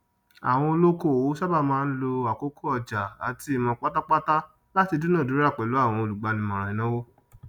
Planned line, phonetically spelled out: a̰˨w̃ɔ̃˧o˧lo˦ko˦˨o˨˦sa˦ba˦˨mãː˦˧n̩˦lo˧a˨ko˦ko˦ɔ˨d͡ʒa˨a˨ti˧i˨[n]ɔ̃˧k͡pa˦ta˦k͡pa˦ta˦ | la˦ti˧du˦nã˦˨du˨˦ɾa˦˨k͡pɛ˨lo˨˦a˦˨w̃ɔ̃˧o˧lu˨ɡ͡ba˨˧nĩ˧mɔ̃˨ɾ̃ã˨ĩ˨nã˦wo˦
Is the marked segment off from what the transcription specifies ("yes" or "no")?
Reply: yes